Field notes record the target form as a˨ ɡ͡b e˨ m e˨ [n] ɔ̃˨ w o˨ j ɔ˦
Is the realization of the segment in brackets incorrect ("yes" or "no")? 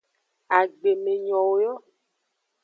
yes